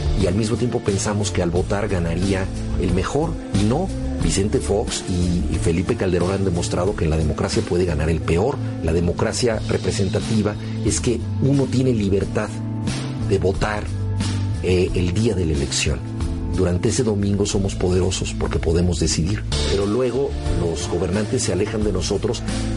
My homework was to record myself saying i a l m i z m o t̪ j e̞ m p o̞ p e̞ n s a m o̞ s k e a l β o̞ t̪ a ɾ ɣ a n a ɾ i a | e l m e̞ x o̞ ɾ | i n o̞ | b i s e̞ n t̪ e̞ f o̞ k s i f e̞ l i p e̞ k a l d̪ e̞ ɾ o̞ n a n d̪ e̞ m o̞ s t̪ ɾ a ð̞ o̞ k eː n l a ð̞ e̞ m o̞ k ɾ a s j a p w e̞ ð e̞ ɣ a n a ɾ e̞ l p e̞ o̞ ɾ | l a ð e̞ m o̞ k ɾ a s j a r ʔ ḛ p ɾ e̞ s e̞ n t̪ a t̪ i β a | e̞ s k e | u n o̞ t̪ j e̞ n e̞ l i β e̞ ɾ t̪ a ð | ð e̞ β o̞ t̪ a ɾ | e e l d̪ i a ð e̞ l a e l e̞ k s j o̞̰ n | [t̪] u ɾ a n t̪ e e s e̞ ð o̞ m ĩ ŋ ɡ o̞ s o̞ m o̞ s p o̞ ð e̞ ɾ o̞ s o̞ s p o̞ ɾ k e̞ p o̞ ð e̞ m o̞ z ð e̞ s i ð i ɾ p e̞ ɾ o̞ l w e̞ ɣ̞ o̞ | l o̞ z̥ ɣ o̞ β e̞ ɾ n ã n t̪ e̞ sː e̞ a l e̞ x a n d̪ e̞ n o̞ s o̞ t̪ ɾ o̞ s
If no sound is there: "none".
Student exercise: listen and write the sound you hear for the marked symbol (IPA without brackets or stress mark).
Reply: d̪